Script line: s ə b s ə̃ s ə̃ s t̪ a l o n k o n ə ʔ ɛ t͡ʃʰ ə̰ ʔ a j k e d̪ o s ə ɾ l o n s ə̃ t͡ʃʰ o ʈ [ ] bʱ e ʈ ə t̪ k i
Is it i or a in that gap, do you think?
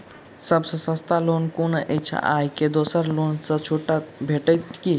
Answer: a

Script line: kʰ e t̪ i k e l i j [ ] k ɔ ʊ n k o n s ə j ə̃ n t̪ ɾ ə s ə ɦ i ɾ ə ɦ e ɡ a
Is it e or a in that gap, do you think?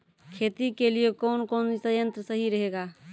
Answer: e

